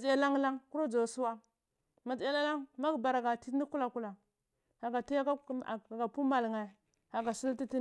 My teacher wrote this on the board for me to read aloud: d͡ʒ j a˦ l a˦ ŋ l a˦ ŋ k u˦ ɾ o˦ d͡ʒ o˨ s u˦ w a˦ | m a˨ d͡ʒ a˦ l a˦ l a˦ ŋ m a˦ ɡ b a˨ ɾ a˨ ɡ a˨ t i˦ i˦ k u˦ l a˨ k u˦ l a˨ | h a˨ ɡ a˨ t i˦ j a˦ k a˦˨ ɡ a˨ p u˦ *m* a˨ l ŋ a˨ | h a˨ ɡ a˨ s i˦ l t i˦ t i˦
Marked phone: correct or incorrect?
correct